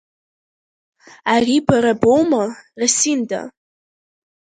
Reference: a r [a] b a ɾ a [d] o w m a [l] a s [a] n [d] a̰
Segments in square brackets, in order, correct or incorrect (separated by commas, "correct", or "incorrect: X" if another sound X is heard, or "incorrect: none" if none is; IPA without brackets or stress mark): incorrect: i, incorrect: b, incorrect: r, incorrect: i, correct